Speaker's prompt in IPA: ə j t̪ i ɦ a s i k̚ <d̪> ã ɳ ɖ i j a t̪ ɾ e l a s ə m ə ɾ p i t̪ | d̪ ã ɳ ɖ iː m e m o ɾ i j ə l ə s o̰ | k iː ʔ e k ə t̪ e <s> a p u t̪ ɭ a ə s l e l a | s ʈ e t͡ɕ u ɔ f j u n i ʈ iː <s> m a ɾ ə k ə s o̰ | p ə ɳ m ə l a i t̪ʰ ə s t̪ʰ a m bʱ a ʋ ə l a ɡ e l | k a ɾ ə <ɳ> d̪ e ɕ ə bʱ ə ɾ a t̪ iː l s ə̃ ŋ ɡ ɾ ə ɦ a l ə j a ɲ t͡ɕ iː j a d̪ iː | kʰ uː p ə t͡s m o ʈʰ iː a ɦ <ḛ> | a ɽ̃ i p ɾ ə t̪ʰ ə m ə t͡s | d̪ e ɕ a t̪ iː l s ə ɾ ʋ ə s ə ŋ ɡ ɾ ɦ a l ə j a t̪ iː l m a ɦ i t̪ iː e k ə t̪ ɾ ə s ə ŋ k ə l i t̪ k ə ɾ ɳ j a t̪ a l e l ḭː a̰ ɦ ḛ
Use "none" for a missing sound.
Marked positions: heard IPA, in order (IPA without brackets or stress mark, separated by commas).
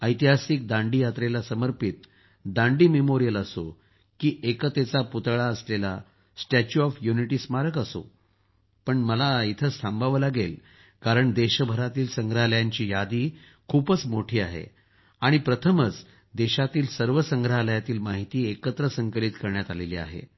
d̪, t͡s, s, ɳ, ḛ